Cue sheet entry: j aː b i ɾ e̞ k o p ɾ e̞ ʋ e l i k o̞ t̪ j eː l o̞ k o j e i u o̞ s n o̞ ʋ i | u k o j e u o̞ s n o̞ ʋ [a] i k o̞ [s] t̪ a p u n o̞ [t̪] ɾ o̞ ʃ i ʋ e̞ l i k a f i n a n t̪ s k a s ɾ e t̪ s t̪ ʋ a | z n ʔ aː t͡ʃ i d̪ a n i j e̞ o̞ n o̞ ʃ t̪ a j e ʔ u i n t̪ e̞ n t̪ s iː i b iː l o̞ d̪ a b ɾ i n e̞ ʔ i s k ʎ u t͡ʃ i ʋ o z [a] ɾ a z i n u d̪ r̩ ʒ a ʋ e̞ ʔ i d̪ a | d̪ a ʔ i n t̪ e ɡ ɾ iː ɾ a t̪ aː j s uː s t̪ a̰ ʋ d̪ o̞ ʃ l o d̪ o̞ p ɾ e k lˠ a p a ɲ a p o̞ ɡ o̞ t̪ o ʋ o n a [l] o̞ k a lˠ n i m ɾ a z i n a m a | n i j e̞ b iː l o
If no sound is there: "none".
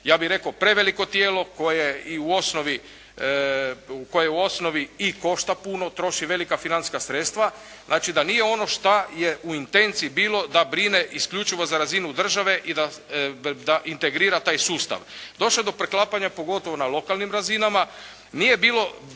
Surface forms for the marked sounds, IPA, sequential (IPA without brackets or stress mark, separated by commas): i, ʃ, t̪, a, l